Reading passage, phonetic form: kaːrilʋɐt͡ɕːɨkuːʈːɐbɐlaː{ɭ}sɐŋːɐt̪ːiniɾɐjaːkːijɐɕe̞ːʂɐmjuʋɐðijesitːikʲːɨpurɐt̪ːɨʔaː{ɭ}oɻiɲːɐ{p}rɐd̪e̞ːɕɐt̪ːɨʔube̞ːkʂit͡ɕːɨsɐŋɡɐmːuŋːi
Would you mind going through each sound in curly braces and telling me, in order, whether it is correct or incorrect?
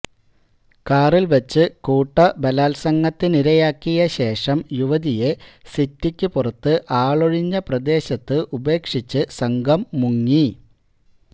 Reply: incorrect, correct, correct

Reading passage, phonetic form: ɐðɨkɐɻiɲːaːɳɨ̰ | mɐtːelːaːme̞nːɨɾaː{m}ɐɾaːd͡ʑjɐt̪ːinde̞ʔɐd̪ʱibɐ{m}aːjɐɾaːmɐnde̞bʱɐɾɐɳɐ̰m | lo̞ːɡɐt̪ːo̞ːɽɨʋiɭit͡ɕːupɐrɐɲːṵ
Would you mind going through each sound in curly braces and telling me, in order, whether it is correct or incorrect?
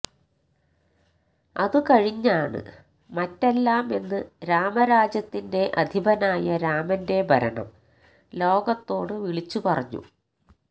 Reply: correct, incorrect

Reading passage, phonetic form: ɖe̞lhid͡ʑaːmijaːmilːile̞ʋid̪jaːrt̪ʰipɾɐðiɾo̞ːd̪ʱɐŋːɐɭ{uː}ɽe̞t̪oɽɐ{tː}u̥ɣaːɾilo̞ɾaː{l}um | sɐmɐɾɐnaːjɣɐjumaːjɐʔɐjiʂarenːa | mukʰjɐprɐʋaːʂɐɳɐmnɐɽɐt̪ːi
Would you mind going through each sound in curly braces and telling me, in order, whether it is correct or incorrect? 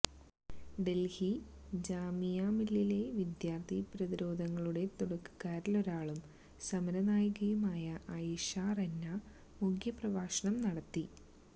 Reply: incorrect, incorrect, incorrect

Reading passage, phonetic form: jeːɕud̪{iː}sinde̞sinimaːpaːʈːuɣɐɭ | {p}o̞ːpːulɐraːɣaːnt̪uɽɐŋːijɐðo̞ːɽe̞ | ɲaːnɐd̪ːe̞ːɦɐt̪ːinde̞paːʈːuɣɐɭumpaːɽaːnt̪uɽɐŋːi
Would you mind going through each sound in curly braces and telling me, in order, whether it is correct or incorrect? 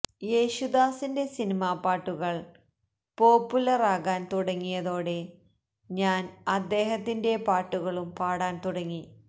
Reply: incorrect, correct

